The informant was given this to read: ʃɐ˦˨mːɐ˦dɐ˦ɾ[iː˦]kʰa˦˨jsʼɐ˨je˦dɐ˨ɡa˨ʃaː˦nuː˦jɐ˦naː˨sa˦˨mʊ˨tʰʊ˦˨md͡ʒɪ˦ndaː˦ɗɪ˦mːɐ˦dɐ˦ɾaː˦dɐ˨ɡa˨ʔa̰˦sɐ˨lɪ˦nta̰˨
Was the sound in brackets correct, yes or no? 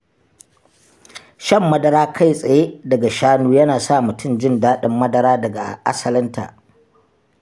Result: no